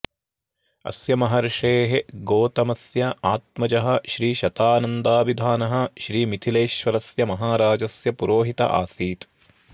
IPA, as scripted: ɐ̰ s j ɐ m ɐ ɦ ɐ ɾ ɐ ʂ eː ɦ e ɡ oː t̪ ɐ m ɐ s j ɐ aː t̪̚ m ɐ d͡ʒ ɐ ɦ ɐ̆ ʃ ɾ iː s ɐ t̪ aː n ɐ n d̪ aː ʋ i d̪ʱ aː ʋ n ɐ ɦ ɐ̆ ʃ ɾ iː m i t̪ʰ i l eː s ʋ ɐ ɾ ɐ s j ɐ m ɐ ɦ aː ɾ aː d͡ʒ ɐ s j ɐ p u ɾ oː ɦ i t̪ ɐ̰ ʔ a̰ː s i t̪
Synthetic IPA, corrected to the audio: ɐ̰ s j ɐ m ɐ ɦ ɐ ɾ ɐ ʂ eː ɦ e ɡ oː t̪ ɐ m ɐ s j ɐ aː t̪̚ m ɐ d͡ʒ ɐ ɦ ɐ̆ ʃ ɾ iː ʃ ɐ t̪ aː n ɐ n d̪ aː ʋ i d̪ʱ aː n ɐ ɦ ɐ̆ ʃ ɾ iː m i t̪ʰ i l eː ʃ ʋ ɐ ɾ ɐ s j ɐ m ɐ ɦ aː ɾ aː d͡ʒ ɐ s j ɐ p u ɾ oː ɦ i t̪ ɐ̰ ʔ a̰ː s iː t̪